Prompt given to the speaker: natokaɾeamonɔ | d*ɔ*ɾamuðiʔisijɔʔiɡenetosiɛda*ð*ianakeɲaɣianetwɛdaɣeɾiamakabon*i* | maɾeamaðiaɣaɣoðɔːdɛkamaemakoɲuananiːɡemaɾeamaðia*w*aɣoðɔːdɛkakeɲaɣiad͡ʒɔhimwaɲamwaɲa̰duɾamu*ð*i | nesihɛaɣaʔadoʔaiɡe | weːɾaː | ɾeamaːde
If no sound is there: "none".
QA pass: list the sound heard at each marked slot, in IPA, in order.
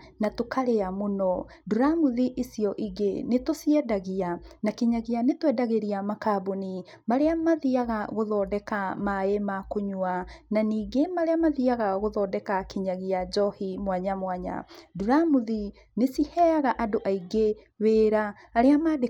u, ɣ, i, ɣ, ð

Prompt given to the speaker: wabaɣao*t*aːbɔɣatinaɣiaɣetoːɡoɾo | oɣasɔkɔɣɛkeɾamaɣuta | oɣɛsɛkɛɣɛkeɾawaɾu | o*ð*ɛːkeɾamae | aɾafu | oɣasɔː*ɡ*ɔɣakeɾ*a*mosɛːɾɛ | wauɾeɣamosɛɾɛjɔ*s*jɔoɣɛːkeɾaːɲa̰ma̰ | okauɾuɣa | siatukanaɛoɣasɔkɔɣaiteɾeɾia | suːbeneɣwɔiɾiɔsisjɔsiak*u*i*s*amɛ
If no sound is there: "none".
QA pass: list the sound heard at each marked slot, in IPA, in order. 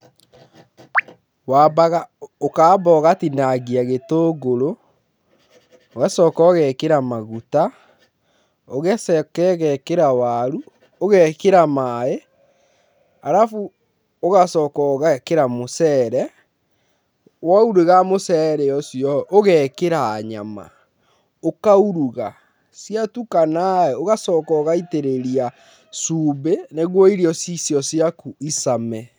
k, ɣ, k, a, s, u, s

